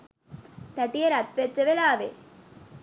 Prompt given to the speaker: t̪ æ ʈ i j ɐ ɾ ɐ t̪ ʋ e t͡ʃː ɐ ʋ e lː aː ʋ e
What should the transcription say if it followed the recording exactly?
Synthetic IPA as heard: t̪ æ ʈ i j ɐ ɾ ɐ t̪ ʋ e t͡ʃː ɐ ʋ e l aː ʋ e